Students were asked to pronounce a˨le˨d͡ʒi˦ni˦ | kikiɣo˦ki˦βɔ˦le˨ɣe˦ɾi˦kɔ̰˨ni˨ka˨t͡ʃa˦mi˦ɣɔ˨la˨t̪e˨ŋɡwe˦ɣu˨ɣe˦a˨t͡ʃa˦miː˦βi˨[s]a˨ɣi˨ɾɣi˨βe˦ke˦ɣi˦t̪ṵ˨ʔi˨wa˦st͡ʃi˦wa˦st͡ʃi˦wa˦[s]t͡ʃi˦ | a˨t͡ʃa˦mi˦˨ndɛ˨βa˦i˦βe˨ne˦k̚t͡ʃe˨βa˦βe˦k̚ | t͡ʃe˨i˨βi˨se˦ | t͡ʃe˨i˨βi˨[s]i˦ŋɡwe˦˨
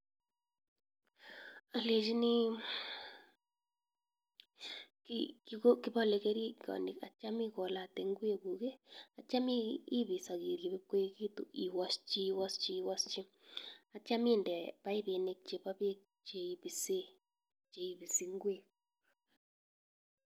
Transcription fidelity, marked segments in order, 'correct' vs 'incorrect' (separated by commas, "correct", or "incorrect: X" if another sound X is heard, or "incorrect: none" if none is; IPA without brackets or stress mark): correct, correct, correct